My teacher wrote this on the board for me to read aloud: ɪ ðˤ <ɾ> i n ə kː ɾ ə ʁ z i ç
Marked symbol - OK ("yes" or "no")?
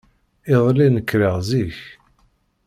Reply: no